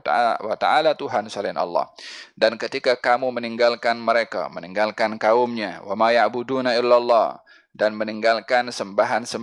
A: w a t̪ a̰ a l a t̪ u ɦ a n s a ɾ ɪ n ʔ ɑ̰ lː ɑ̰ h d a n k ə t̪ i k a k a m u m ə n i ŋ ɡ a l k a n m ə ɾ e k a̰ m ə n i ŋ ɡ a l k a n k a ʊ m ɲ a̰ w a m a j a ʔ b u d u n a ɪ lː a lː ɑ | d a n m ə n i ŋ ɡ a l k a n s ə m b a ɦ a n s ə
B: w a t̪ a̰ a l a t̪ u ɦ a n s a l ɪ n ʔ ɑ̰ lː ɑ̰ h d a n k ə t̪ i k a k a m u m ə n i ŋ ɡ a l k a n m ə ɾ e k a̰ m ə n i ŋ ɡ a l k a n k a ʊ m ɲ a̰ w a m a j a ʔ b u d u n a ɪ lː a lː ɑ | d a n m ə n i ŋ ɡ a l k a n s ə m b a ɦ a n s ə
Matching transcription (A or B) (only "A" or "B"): B